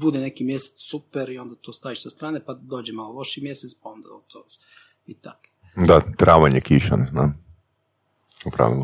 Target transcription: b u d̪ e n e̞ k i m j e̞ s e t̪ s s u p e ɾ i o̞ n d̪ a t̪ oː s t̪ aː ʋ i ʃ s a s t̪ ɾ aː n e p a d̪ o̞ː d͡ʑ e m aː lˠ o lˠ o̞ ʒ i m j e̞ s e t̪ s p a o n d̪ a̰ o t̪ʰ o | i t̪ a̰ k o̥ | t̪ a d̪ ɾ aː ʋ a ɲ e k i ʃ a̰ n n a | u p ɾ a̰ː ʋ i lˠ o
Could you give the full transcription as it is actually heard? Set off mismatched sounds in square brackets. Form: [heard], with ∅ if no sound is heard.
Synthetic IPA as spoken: b u d̪ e n e̞ k i m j e̞ s e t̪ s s u p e ɾ i o̞ n d̪ a t̪ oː s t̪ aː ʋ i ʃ s a s t̪ ɾ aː n e p a d̪ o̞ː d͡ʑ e m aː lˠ o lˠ o̞ [ʃ] i m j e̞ s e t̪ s p a o n d̪ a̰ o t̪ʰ o | i t̪ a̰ k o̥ | [d̪] a [t̪] ɾ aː ʋ a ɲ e k i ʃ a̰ n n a | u p ɾ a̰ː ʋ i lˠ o